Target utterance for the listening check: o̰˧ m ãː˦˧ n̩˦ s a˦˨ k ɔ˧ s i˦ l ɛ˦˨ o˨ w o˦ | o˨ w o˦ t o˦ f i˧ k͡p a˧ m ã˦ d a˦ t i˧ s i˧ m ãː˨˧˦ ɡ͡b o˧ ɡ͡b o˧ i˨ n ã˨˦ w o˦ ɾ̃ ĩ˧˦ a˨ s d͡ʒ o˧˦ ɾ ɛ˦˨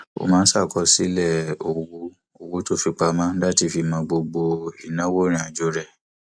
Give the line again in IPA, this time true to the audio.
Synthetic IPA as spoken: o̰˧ m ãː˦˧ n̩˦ s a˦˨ k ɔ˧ s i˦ l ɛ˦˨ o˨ w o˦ | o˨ w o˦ t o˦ f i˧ k͡p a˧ m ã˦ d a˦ t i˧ f i˧ m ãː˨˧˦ ɡ͡b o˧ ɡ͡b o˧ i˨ n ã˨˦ w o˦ ɾ̃ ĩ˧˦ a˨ d͡ʒ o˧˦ ɾ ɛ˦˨

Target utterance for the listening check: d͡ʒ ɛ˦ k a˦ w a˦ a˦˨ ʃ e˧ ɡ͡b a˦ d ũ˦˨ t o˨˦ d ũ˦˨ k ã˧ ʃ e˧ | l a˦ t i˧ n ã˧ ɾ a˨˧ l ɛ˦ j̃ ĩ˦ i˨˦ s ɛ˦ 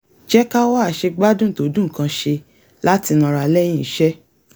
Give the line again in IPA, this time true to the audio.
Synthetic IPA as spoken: d͡ʒ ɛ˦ k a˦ w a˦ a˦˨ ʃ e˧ ɡ͡b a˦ d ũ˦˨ t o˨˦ d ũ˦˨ k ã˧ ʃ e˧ | l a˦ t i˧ n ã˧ ɾ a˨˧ l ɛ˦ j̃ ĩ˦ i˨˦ ʃ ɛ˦

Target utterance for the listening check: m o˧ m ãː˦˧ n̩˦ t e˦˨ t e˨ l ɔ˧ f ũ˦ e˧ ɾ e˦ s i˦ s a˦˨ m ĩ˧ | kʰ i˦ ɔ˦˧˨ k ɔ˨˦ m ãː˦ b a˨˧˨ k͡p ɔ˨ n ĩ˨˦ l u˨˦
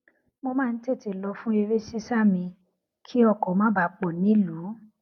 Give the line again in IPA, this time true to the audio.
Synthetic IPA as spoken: m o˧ m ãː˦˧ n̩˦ t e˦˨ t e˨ l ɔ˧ f ũ˦ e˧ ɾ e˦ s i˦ s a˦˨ m ĩ˧ | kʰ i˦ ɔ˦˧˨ k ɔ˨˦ m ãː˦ b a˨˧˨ k͡p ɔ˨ n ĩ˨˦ l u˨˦

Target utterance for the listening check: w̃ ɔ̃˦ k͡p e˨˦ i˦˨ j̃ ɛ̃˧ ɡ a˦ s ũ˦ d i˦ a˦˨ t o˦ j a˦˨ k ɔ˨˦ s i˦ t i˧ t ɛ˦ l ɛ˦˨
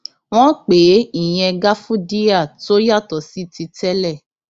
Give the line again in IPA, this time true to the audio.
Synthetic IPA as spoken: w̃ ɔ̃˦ k͡p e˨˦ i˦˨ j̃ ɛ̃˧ ɡ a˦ f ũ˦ d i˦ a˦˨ t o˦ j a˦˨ t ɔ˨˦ s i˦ t i˧ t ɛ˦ l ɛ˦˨

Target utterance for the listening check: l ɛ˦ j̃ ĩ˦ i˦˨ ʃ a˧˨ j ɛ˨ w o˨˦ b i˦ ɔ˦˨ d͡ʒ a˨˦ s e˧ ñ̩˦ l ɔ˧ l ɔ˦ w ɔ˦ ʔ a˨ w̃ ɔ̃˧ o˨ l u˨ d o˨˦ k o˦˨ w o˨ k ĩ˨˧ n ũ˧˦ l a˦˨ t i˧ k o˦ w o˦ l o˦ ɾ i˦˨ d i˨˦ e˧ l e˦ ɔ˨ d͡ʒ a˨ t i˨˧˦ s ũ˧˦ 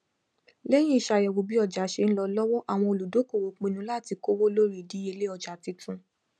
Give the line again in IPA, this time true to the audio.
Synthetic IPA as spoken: l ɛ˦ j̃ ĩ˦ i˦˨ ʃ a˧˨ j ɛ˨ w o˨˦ b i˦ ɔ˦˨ d͡ʒ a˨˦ ʃ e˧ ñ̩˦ l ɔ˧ l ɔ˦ w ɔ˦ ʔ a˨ w̃ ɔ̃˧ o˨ l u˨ d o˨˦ k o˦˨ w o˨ k͡p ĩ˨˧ n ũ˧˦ l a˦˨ t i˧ k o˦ w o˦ l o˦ ɾ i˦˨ d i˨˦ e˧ l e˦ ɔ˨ d͡ʒ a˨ t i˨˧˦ t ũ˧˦

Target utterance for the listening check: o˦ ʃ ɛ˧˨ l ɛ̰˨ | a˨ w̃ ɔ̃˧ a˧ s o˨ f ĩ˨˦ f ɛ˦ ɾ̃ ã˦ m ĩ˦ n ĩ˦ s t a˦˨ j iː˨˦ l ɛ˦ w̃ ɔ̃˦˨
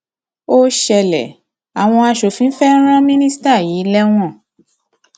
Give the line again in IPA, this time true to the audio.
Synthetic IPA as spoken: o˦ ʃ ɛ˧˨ l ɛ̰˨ | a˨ w̃ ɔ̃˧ a˧ ʃ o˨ f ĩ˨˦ f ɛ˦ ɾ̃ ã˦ m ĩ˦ n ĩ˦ s t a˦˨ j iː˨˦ l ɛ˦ w̃ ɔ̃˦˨

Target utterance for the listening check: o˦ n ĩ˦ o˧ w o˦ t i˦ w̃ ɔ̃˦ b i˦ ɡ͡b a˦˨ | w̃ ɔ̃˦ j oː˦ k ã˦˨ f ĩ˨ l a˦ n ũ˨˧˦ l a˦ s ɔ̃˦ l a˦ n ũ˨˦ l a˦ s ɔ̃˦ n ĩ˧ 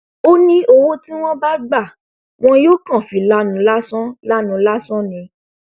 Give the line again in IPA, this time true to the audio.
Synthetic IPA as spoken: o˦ n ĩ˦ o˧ w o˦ t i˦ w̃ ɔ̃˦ b a˦ ɡ͡b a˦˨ | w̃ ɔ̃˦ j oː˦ k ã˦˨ f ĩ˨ l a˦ n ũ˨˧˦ l a˦ s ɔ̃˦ l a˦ n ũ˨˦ l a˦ s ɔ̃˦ n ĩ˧

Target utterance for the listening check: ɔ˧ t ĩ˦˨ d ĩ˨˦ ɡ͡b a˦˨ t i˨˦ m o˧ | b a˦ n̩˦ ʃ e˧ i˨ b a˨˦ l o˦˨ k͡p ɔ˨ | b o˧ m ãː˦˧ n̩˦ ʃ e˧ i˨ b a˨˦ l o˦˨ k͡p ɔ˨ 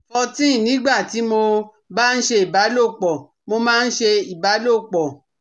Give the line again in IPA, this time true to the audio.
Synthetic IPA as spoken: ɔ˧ t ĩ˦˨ n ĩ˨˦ ɡ͡b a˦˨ t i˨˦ m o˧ | b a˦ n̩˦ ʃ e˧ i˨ b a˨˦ l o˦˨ k͡p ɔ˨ | m o˧ m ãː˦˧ n̩˦ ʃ e˧ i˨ b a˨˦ l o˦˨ k͡p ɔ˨

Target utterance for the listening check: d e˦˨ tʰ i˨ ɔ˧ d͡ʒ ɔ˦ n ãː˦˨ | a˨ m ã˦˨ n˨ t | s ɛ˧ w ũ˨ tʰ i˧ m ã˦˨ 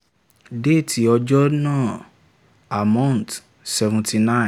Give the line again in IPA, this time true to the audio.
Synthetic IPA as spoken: d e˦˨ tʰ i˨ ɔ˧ d͡ʒ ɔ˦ n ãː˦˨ | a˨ m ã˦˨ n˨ t | s ɛ˧ v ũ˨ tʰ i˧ n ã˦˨

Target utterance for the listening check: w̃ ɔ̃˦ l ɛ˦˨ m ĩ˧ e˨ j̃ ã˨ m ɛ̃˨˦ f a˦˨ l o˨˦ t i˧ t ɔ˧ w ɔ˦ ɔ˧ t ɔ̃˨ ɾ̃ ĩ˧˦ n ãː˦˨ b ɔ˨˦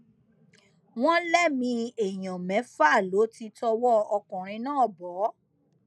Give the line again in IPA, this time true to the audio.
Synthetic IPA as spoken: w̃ ɔ̃˦ l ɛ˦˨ m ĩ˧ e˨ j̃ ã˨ m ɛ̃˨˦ f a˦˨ l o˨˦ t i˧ t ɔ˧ w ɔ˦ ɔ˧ k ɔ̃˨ ɾ̃ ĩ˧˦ n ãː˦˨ b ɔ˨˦

